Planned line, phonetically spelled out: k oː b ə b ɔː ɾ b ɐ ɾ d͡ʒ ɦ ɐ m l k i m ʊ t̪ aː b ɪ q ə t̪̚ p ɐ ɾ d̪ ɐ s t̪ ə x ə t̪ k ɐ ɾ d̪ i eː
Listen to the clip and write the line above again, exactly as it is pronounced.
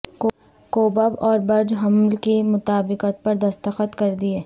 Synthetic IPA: k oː b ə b ɔː ɾ b ɐ ɾ d͡ʒ ɦ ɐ m l k i m ʊ t̪ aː b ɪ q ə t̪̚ p ɐ ɾ d̪ ɐ s t̪ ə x ə t̪ k ɐ ɾ d̪ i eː

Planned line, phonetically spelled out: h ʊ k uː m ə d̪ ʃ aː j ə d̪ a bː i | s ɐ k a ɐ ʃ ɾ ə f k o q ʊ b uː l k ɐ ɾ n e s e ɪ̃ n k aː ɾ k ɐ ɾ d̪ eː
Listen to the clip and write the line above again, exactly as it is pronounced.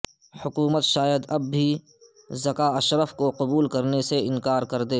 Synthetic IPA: h ʊ k uː m ə t̪ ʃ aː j ə d̪ ɐ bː i | z ɐ k a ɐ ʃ ɾ ə f k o q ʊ b uː l k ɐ ɾ n e s e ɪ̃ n k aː ɾ k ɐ ɾ d̪ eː

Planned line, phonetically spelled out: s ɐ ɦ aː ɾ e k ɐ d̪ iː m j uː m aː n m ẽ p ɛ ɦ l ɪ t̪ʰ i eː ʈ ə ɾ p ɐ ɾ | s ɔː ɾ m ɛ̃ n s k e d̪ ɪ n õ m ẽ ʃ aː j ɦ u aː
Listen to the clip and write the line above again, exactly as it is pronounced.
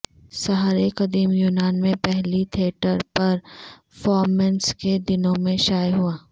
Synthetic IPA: s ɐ ɦ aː ɾ e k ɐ d̪ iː m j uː n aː n m ẽ p ɛ ɦ l i t̪ʰ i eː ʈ ə ɾ p ɐ ɾ | f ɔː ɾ m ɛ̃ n s k e d̪ ɪ n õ m ẽ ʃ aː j ɦ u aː

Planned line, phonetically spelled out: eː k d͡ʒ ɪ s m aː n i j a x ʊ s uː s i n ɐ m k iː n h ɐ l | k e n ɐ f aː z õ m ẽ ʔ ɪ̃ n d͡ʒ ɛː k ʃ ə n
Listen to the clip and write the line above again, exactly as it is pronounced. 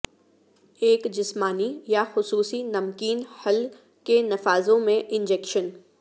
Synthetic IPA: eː k d͡ʒ ɪ s m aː n i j a x ʊ s uː s i n ɐ m k iː n h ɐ l | k e n ɐ f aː z õ m ẽ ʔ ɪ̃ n d͡ʒ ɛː k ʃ ə n

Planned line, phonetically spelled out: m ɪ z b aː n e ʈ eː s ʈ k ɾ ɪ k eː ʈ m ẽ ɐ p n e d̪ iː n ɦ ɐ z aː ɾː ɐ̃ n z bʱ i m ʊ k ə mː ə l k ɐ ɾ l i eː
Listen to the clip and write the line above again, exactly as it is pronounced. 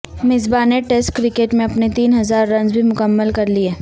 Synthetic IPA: m ɪ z b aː n e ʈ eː s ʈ k ɾ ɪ k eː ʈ m ẽ ɐ p n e t̪ iː n ɦ ɐ z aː ɾː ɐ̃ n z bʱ i m ʊ k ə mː ə l k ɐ ɾ l i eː

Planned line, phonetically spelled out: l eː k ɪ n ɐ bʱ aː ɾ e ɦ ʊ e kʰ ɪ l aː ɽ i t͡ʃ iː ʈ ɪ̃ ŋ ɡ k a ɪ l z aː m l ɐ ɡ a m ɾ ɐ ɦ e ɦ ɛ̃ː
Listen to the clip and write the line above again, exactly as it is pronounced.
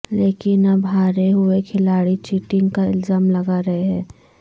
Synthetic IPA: l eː k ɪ n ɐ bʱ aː ɾ e ɦ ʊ e kʰ ɪ l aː ɽ i t͡ʃ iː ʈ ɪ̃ ŋ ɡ k a ɪ l z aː m l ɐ ɡ a ɾ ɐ ɦ e ɦ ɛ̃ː

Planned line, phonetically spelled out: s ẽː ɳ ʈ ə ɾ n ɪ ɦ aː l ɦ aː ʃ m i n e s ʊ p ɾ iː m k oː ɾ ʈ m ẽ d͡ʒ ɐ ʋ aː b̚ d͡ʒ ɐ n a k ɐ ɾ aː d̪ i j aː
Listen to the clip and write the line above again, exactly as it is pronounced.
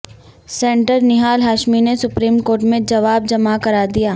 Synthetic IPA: s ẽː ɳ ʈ ə ɾ n ɪ ɦ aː l ɦ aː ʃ m i n e s ʊ p ɾ iː m k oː ɾ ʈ m ẽ d͡ʒ ɐ ʋ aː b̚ d͡ʒ ɐ m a k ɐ ɾ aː d̪ i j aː

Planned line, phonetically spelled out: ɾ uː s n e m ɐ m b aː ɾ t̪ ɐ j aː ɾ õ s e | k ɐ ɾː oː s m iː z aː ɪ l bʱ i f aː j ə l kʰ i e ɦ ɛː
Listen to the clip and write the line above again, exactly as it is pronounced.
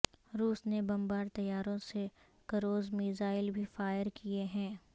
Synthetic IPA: ɾ uː s n e b ɐ m b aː ɾ t̪ ɐ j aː ɾ õ s e | k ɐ ɾ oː z m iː z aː ɪ l bʱ i f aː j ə ɾ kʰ i e ɦ ɛ̃ː

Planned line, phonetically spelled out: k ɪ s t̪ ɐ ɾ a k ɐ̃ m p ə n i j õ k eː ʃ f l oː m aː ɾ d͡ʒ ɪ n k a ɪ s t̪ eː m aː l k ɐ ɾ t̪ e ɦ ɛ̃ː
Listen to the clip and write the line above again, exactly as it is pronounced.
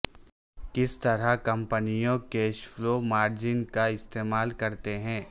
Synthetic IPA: k ɪ s t̪ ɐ ɾ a k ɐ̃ m p ə n i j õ k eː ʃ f l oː m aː ɾ d͡ʒ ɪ n k a ɪ s t̪ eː m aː l k ɐ ɾ t̪ e ɦ ɛ̃ː

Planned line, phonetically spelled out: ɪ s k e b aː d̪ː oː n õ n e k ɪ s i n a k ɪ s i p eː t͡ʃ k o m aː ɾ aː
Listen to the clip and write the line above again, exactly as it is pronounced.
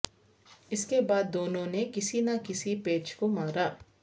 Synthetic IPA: ɪ s k e b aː d̪ː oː n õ n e k ɪ s i n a k ɪ s i p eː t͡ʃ k o m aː ɾ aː

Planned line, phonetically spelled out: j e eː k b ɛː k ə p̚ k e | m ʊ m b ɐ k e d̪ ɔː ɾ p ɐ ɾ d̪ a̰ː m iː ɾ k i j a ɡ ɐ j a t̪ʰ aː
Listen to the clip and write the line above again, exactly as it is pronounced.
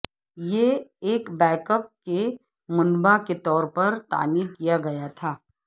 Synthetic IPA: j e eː k b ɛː k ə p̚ k e | m ʊ n b a k e t̪ ɔː ɾ p ɐ ɾ t̪ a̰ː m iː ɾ k i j a ɡ ɐ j a t̪ʰ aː

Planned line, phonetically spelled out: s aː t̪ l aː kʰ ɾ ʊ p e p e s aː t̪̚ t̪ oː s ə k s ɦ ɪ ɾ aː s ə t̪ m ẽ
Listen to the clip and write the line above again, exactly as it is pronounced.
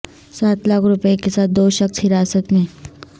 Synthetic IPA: s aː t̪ l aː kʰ ɾ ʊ p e k e s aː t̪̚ d̪ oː ʃ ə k s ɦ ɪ ɾ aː s ə t̪ m ẽ

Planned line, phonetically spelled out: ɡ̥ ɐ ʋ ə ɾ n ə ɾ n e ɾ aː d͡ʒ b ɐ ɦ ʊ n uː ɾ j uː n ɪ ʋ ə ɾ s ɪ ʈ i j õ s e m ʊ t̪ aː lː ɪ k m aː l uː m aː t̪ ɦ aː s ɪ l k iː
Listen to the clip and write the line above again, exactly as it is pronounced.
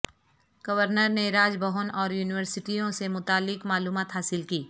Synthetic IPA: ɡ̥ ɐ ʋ ə ɾ n ə ɾ n e ɾ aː d͡ʒ b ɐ ɦ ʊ n ɔː ɾ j uː n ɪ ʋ ə ɾ s ɪ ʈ i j õ s e m ʊ t̪ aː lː ɪ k m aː l uː m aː t̪ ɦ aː s ɪ l k iː

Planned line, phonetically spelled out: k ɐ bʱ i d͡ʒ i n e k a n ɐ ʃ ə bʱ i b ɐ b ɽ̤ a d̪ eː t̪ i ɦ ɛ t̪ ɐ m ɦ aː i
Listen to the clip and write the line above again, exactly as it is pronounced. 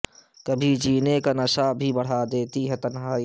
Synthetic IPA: k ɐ bʱ i d͡ʒ iː n e k a n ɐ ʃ a bʱ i b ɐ ɽ̤ a d̪ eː t̪ i ɦ ɛ t̪ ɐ n ɦ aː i

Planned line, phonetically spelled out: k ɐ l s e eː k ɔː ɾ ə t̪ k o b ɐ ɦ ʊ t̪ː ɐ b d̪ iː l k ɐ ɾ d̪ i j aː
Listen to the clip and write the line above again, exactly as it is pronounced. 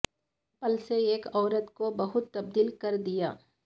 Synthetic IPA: p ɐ l s e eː k ɔː ɾ ə t̪ k o b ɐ ɦ ʊ t̪ː ɐ b d̪ iː l k ɐ ɾ d̪ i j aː

